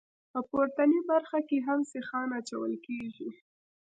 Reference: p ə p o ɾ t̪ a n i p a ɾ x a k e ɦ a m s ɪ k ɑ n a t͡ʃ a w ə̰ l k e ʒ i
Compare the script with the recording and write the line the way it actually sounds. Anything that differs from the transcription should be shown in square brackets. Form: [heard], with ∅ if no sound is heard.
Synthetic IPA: p ə p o ɾ t̪ a n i [b] a ɾ x a k e ɦ a m s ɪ [x] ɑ n a t͡ʃ a w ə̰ l k e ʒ i